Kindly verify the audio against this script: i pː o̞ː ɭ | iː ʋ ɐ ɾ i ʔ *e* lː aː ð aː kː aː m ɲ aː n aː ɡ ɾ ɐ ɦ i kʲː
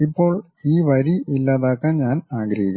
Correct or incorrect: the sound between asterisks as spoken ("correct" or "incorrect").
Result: incorrect